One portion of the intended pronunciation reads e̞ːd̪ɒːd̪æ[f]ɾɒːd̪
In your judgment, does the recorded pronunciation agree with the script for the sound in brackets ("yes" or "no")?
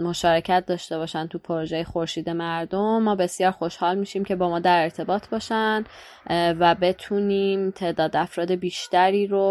yes